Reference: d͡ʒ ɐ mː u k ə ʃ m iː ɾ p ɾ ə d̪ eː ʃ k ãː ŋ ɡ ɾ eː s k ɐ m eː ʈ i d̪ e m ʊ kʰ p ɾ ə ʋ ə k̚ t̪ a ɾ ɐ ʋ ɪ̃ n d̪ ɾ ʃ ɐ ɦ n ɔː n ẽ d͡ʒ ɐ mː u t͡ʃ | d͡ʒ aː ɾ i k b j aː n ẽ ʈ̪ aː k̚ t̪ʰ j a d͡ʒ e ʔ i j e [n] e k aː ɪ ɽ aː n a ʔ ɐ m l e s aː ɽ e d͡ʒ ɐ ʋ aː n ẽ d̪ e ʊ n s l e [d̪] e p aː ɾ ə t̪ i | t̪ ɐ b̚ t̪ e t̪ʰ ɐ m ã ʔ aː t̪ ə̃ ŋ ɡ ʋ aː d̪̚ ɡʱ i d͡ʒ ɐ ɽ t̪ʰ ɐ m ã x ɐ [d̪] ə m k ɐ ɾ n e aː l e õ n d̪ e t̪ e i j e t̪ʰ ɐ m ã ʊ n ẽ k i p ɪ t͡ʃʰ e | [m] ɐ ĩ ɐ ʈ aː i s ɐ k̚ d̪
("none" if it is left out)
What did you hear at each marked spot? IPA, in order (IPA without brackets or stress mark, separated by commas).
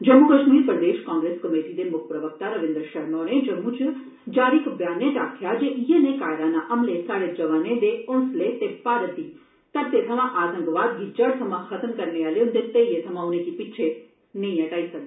n, t̪, t̪, n